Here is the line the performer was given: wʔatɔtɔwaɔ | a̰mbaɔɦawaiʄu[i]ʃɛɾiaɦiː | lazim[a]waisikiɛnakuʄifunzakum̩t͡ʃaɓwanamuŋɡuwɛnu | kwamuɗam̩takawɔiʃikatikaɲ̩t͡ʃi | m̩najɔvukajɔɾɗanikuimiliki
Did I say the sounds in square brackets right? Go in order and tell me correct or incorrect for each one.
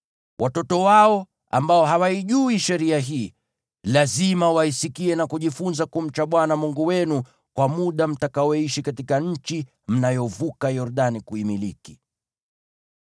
correct, correct

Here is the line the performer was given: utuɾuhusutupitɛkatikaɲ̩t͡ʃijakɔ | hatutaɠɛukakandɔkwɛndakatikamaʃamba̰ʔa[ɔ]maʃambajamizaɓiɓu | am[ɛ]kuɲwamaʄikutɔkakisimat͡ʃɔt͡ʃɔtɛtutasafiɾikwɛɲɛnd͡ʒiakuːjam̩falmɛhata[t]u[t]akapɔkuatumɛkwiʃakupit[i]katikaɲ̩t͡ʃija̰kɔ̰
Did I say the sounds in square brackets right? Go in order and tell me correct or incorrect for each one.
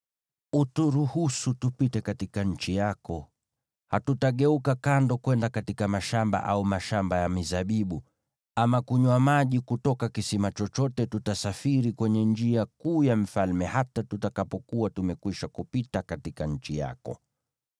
incorrect: u, incorrect: a, correct, correct, incorrect: a

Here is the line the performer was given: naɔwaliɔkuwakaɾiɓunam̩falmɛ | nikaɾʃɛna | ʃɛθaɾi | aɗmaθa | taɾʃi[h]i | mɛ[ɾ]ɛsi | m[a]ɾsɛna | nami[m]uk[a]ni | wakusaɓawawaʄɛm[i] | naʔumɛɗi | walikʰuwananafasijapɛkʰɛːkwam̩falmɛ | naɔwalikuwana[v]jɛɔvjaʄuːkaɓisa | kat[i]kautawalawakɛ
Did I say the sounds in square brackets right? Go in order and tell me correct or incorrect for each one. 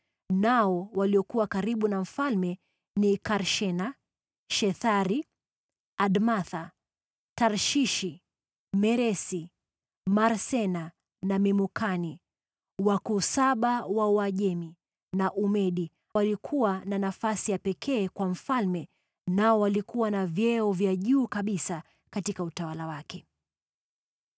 incorrect: ʃ, correct, correct, correct, correct, correct, correct, correct

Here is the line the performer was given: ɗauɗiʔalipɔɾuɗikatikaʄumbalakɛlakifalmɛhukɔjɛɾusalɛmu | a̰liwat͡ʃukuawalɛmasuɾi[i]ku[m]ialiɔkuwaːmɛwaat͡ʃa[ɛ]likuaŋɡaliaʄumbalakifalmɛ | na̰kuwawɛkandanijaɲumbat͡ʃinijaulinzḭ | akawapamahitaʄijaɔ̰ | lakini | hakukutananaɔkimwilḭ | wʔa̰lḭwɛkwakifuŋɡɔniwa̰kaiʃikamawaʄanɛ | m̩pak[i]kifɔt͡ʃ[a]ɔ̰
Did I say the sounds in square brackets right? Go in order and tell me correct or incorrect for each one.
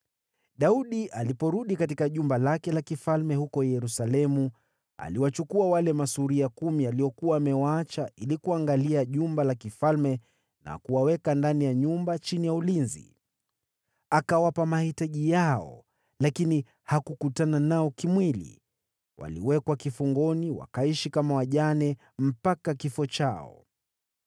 incorrect: a, correct, incorrect: i, incorrect: a, correct

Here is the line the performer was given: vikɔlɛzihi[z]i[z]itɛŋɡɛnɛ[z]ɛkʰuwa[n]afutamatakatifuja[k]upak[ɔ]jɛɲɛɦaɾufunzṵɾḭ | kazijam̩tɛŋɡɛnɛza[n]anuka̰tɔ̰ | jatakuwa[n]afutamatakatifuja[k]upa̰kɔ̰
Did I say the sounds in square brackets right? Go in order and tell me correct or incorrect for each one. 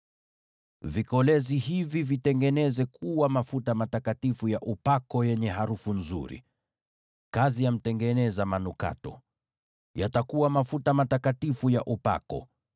incorrect: v, incorrect: v, correct, incorrect: m, incorrect: ʔ, correct, incorrect: m, incorrect: m, incorrect: ʔ

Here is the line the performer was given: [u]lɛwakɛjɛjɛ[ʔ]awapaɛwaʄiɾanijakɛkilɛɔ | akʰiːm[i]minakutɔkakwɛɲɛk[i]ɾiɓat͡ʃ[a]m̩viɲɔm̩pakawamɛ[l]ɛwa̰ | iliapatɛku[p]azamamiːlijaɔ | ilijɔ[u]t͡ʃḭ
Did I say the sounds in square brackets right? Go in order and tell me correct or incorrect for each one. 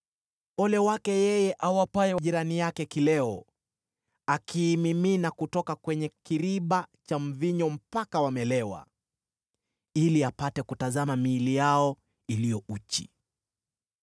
incorrect: ɔ, correct, correct, correct, correct, correct, incorrect: t, correct

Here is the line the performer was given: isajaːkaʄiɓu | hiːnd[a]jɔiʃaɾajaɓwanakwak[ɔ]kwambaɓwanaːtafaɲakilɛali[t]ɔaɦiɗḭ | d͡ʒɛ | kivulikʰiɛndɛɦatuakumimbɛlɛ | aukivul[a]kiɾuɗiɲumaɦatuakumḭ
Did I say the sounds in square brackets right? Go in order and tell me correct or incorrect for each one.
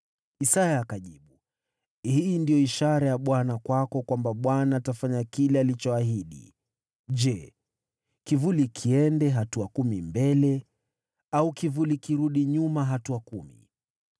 incorrect: i, correct, incorrect: t͡ʃ, incorrect: i

